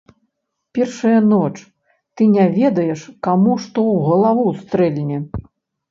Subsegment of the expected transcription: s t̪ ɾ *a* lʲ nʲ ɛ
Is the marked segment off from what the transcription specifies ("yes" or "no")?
yes